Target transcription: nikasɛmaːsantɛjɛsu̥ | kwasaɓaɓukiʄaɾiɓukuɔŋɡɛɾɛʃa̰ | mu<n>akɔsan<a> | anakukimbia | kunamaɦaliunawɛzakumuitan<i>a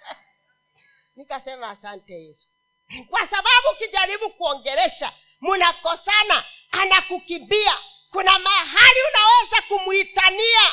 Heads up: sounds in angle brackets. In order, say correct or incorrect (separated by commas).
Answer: correct, correct, correct